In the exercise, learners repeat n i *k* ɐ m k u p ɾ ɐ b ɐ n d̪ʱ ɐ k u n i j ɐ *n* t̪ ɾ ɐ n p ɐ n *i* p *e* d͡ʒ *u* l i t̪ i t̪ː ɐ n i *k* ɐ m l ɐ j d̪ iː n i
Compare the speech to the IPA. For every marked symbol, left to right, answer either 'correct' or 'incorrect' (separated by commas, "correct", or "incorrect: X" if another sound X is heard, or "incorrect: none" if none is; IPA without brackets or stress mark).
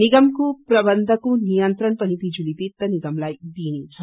incorrect: ɡ, correct, correct, incorrect: i, correct, incorrect: ɡ